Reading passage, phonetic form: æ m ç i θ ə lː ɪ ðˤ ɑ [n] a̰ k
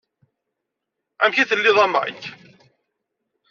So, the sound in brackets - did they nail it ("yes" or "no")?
no